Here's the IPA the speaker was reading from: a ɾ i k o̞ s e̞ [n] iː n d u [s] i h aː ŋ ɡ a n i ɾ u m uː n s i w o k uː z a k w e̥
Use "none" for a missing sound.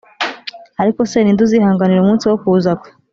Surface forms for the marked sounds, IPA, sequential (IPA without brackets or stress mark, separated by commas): n, z